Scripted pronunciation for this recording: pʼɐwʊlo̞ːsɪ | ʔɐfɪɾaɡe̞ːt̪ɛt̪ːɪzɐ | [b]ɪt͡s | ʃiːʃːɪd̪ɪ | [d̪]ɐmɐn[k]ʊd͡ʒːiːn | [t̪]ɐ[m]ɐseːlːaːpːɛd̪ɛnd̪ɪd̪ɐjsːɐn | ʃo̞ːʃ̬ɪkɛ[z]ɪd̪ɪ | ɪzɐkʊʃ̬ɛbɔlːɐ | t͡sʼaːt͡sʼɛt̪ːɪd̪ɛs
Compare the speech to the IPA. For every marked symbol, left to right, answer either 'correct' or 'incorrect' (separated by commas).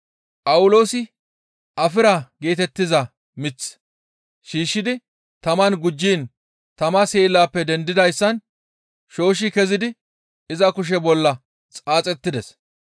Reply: incorrect, incorrect, incorrect, correct, correct, correct